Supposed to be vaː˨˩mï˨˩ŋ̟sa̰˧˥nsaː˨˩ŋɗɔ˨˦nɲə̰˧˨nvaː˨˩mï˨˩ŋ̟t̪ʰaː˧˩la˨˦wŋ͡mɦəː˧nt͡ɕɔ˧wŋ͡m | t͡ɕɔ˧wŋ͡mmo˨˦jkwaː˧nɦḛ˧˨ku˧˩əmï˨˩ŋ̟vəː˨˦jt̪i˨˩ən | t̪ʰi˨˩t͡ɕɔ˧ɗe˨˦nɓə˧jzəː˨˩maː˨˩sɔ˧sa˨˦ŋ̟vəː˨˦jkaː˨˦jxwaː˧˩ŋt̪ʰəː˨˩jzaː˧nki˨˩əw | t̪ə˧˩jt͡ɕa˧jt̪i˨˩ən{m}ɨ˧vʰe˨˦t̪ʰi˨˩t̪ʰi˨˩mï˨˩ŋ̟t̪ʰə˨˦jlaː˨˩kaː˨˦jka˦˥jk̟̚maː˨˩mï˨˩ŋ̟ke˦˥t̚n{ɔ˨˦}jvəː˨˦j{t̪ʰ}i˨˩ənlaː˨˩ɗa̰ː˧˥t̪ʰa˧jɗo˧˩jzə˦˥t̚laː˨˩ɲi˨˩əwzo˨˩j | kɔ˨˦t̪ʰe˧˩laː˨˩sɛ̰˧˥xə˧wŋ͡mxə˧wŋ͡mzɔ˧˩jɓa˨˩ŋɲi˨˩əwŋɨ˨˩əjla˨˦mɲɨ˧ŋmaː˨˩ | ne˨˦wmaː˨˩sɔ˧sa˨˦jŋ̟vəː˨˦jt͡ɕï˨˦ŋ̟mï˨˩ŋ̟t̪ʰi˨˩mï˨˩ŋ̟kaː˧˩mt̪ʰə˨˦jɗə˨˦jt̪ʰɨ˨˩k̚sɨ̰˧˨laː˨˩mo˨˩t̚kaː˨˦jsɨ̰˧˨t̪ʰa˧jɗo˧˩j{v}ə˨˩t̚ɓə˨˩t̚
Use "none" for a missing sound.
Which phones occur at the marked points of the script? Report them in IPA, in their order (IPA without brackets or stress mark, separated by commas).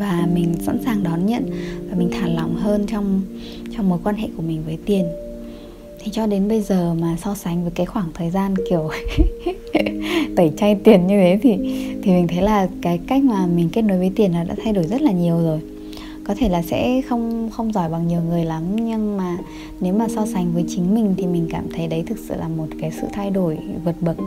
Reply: ɲ, o˨˦, t̪, v